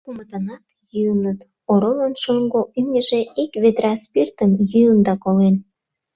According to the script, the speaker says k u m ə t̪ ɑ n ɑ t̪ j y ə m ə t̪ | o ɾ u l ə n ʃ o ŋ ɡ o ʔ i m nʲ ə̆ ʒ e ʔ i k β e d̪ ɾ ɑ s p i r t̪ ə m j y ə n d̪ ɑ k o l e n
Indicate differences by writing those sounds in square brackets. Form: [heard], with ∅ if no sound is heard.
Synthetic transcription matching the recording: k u m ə t̪ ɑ n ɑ t̪ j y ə [n] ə t̪ | o ɾ [o] l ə n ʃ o ŋ ɡ o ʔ [y] m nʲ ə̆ ʒ e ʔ i k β e d̪ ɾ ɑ s p i r t̪ ə m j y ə n d̪ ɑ k o l e n

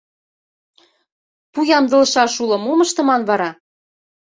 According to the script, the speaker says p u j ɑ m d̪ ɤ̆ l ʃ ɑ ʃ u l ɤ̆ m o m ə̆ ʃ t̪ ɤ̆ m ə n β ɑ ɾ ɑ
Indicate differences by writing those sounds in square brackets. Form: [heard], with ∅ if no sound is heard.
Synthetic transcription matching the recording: p u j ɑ m d̪ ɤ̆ l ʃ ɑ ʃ u l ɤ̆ m o m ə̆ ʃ t̪ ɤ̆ m [ɑ] n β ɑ ɾ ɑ

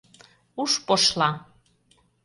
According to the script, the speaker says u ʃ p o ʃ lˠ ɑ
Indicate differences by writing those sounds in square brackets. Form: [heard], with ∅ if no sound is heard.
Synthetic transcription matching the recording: u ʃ p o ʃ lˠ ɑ

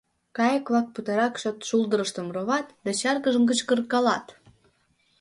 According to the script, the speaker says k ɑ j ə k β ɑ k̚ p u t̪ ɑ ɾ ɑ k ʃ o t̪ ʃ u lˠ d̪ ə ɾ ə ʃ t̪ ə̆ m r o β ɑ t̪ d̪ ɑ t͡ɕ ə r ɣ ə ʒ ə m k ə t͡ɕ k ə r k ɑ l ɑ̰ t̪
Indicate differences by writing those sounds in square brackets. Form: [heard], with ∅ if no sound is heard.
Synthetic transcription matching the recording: k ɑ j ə k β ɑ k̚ p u t̪ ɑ ɾ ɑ k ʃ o t̪ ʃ u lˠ d̪ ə ɾ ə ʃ t̪ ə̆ m r o β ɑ t̪ d̪ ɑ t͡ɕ [ɑ] r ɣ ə ʒ ə m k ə t͡ɕ k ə r k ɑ l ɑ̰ t̪

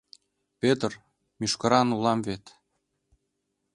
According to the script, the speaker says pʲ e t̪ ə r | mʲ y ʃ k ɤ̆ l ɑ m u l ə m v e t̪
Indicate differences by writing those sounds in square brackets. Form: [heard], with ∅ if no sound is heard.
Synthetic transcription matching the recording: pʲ e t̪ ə r | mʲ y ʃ k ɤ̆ [ɾ] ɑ [n] u l [ɑ] m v e t̪

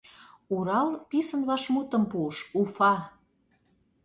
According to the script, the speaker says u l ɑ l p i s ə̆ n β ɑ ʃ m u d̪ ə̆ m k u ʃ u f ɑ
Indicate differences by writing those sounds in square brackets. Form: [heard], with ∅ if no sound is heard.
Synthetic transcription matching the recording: u [ɾ] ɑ l p i s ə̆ n β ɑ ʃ m u [t̪] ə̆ m [p] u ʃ u f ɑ

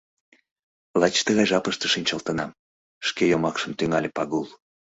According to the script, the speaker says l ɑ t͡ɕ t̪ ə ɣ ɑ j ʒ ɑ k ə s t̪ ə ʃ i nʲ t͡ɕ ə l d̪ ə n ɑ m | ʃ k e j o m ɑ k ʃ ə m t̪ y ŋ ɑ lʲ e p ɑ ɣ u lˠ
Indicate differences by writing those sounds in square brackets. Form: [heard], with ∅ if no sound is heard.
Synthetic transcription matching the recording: l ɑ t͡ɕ t̪ ə ɣ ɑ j ʒ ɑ [p] ə [ʃ] t̪ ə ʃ i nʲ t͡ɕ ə l [t̪] ə n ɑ m | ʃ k e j o m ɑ k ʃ ə m t̪ y ŋ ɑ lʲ e p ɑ ɣ u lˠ

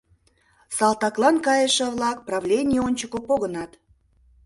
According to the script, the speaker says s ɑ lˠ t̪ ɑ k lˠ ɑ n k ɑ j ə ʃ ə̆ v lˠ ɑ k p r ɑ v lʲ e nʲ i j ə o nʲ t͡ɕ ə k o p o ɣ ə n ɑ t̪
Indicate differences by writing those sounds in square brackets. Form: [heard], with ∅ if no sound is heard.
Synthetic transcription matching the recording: s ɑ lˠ t̪ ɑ k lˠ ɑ n k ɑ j ə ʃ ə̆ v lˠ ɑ k p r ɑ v lʲ e nʲ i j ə o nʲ t͡ɕ ə k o p o ɣ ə n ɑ t̪

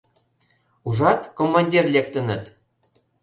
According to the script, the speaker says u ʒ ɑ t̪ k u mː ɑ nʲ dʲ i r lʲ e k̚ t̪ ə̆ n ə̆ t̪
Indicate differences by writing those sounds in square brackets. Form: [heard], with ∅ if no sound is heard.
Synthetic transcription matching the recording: u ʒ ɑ t̪ k [o] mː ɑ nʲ dʲ i r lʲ e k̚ t̪ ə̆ n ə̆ t̪

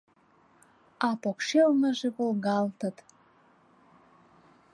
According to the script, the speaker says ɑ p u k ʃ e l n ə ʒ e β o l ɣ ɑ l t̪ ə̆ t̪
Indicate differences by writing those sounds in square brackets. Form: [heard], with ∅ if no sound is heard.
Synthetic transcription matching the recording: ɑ p [o] k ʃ e l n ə ʒ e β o l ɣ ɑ l t̪ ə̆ t̪

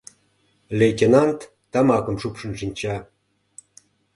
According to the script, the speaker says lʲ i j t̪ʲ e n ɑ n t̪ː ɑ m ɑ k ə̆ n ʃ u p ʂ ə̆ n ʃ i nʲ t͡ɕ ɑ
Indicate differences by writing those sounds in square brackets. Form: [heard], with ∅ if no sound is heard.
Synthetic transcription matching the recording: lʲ [e] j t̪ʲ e n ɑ n t̪ː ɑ m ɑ k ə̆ [m] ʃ u p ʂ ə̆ n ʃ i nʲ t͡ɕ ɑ

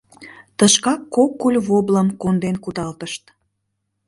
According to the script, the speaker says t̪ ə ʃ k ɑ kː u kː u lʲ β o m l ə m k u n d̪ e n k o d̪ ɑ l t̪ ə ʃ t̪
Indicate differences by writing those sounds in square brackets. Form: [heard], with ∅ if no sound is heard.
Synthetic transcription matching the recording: t̪ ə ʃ k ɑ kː [o] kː u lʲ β o [b] l ə m k [o] n d̪ e n k [u] d̪ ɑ l t̪ ə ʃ t̪

